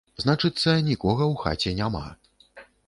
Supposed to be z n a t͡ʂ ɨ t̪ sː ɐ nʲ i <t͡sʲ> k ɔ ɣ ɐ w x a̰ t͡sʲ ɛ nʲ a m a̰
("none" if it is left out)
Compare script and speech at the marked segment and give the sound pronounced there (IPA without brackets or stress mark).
none